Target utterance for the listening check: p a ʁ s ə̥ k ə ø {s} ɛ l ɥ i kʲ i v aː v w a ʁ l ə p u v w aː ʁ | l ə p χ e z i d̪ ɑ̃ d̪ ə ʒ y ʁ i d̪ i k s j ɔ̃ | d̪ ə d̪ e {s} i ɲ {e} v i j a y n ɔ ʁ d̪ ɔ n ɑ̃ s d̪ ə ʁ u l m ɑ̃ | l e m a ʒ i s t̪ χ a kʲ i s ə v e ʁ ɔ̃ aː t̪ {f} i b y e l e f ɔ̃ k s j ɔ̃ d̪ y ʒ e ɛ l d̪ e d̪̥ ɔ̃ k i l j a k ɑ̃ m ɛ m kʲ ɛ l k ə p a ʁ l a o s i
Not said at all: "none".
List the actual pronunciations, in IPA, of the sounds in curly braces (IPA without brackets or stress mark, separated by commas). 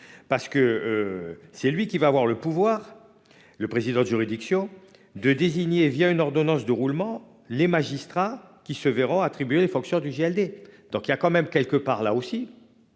s, z, e, χ